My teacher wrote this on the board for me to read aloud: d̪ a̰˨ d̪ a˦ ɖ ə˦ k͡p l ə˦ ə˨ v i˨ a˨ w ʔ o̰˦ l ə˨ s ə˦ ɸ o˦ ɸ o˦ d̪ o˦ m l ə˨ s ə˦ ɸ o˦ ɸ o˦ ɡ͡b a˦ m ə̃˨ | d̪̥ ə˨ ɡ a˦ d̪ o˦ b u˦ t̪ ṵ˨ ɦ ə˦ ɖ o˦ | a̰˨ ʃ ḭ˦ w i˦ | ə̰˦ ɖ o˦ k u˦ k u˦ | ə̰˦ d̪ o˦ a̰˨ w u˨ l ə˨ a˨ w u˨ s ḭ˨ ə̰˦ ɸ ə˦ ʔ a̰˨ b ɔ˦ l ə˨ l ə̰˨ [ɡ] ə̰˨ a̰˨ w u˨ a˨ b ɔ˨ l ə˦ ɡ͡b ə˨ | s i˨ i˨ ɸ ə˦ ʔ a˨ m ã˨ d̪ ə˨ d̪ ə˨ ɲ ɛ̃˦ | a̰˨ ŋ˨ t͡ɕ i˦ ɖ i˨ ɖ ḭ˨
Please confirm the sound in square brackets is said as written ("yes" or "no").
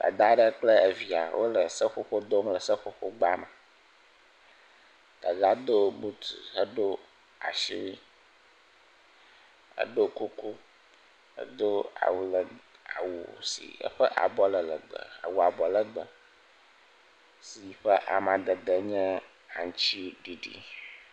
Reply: no